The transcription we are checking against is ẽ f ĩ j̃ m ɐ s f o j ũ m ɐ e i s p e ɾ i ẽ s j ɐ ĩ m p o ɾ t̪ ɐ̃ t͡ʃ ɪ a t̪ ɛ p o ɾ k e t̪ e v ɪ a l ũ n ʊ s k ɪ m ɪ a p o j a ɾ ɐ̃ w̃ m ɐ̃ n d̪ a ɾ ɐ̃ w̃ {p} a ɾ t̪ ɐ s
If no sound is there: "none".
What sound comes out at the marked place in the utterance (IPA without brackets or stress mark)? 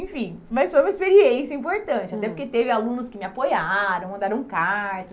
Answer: k